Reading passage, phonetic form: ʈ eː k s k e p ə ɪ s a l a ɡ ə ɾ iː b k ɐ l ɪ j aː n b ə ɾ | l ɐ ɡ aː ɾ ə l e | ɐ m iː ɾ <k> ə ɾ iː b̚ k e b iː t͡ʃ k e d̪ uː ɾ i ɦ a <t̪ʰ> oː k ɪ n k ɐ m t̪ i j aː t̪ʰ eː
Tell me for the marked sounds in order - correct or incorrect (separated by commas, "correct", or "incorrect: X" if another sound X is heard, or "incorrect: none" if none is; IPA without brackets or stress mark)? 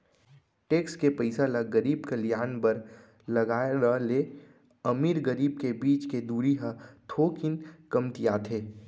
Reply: incorrect: ɡ, correct